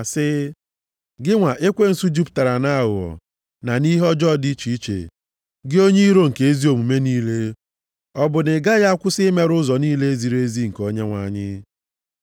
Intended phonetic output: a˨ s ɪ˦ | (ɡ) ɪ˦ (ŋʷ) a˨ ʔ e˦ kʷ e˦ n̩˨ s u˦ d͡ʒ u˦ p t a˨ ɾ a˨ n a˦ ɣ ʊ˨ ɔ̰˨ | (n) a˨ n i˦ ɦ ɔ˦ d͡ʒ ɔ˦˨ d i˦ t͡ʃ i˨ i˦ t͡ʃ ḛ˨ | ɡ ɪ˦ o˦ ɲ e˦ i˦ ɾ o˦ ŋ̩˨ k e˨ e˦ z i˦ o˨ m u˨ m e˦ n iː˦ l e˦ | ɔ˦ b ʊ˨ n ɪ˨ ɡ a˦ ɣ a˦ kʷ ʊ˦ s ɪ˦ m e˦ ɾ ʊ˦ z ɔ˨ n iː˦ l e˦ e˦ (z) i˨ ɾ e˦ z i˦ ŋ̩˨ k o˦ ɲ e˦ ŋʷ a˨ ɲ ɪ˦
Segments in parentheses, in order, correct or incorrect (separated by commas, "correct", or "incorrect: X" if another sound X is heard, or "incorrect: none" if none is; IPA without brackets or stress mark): correct, correct, correct, correct